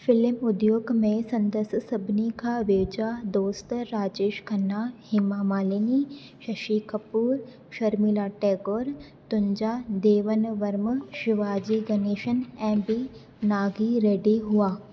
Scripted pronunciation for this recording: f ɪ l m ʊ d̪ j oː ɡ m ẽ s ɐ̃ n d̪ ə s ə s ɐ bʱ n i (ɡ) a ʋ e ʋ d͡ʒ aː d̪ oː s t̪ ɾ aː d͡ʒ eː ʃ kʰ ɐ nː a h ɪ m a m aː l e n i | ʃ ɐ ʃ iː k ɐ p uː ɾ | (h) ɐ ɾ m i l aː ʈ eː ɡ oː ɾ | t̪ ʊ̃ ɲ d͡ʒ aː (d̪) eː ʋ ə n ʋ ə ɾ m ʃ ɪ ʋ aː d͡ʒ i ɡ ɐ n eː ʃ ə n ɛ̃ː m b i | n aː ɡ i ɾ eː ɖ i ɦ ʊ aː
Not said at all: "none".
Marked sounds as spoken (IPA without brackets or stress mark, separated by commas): k, ʃ, d̪